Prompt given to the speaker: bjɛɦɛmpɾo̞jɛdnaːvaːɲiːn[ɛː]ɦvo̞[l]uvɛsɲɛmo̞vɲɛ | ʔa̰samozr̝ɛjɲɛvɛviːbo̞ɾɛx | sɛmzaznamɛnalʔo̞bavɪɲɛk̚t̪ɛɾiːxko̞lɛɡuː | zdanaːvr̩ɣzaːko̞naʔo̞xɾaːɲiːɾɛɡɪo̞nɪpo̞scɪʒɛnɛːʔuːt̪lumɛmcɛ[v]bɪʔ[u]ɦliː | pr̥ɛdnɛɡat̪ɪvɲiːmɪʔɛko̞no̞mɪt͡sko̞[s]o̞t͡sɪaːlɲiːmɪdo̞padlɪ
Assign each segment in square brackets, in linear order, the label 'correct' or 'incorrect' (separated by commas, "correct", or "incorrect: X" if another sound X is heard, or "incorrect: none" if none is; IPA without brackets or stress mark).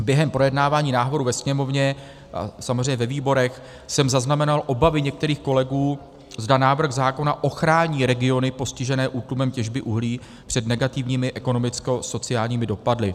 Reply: incorrect: aː, incorrect: ɾ, incorrect: ʒ, correct, correct